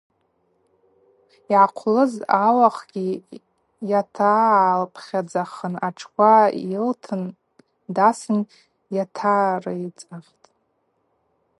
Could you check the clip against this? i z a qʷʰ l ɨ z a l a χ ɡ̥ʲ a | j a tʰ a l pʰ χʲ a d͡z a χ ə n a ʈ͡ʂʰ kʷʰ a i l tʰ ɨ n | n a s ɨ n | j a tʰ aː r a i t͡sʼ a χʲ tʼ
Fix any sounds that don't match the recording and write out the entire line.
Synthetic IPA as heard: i ʕ a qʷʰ l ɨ z a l a χ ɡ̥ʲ i | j a tʰ a l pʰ χʲ a d͡z a χ ə n a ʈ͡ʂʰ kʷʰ a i l tʰ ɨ n | d a s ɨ n | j a tʰ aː r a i t͡sʼ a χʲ tʼ